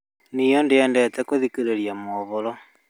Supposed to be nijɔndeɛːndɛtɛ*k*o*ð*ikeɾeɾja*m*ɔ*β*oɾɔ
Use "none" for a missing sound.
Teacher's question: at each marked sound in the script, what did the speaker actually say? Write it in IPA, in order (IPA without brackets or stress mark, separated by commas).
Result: k, ð, m, β